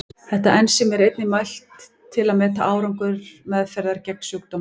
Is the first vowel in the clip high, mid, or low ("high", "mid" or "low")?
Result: mid